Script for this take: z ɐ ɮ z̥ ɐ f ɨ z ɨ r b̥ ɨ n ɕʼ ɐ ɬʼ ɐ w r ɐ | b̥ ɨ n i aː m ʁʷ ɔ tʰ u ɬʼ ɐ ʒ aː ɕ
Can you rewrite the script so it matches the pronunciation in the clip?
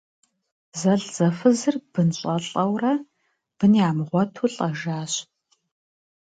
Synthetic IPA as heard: z ɐ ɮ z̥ ɐ f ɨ z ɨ r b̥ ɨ n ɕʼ ɐ ɬʼ ɐ w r ɐ | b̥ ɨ n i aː m ʁʷ ɔ tʰ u ɬʼ ɐ ʒ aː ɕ